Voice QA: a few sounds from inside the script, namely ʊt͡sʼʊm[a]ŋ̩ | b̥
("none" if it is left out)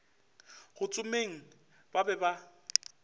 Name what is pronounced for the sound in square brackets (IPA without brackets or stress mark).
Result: e